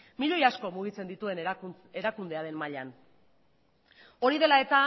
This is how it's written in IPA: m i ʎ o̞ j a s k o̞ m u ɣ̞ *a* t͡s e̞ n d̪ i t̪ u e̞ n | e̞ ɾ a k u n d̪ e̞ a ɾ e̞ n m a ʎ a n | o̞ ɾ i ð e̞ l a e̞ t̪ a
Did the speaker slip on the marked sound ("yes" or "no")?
yes